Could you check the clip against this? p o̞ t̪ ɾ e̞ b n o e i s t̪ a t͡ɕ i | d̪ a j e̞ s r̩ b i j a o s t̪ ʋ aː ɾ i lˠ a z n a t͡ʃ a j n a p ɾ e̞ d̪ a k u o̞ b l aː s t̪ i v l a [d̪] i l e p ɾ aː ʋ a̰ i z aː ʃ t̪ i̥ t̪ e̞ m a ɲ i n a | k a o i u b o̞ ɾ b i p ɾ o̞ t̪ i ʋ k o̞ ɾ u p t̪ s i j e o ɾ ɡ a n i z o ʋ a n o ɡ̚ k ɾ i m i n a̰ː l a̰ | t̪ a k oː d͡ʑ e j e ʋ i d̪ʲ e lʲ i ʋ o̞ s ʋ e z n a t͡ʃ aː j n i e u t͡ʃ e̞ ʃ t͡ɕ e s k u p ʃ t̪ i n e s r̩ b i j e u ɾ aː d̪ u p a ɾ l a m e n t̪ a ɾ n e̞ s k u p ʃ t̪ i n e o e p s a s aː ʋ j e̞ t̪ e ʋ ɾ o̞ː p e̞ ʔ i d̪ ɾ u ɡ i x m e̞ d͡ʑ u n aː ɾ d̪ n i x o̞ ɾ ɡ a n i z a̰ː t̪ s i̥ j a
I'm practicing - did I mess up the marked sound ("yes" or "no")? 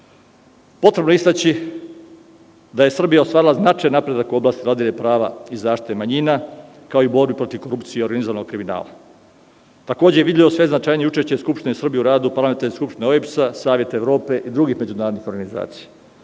no